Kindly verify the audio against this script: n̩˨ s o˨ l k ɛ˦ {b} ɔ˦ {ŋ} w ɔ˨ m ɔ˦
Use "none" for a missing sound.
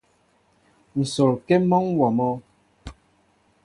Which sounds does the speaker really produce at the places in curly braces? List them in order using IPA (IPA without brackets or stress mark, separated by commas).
m, ŋ